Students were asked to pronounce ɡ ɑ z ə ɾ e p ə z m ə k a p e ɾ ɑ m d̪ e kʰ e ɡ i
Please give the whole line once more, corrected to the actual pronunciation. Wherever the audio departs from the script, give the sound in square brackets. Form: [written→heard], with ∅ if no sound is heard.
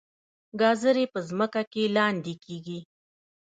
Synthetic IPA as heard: ɡ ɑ z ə ɾ e p ə z m ə k a [p→k] e [ɾ→l] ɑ [m→n] d̪ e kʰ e ɡ i

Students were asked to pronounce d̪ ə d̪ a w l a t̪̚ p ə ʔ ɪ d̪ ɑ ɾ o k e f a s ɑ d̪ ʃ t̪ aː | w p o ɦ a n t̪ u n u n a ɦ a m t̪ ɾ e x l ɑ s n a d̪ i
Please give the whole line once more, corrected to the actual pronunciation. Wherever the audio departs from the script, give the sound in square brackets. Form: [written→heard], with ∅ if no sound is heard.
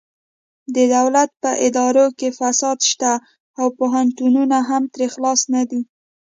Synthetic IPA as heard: d̪ ə d̪ a w l a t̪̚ p ə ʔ ɪ d̪ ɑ ɾ o k e f a s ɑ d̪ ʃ t̪ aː | w p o ɦ a n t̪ u n u n a ɦ a m t̪ ɾ e x l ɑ s n a d̪ i

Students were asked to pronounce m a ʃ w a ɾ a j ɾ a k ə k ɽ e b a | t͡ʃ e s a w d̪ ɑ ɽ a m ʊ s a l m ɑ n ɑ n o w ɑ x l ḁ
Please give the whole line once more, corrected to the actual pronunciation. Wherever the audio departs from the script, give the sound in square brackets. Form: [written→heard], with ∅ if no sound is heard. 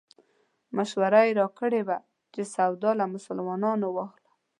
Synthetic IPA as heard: m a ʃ w a ɾ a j ɾ [a→ɑ] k ə [k→∅] ɽ e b a | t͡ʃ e s a w d̪ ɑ [ɽ→l] a m ʊ s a l m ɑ n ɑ n o w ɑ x l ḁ

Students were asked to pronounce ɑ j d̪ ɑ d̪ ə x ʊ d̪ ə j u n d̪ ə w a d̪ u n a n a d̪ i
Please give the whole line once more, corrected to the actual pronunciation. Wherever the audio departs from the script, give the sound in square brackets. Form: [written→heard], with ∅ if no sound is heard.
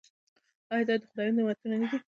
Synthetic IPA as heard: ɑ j d̪ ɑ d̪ ə x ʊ d̪ [ə→ɑ] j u n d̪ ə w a [d̪→t̪] u n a n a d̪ i

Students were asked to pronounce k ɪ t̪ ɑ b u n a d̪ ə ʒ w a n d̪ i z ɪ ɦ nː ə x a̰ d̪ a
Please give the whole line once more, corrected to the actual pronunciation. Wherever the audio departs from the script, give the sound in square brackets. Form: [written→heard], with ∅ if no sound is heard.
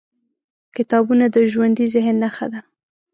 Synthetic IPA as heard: k ɪ t̪ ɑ b u n a d̪ ə ʒ w a n d̪ i z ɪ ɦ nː [ə→a] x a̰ d̪ a

